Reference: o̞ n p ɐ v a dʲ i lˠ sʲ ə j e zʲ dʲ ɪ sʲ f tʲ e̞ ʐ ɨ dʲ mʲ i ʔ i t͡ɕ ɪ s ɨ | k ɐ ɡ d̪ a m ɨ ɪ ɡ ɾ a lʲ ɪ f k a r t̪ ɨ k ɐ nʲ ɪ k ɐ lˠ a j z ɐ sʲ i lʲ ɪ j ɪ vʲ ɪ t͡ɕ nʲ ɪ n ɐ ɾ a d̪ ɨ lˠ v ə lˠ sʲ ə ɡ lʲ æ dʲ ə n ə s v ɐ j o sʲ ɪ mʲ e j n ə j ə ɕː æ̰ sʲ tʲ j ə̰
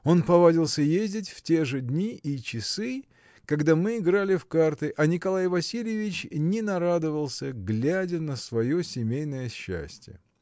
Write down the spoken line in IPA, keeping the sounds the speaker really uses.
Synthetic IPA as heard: o̞ n p ɐ v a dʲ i lˠ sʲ ə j e zʲ dʲ ɪ tʲ f tʲ e̞ ʐ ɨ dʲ nʲ i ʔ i t͡ɕ ɪ s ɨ | k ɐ ɡ d̪ a m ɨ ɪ ɡ ɾ a lʲ ɪ f k a r t̪ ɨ ʔ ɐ nʲ ɪ k ɐ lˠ a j v ɐ sʲ i lʲ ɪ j ɪ vʲ ɪ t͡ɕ nʲ ɪ n ɐ ɾ a d̪ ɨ v ə lˠ sʲ ə ɡ lʲ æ dʲ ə n ə s v ɐ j o sʲ ɪ mʲ e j n ə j ə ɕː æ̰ sʲ tʲ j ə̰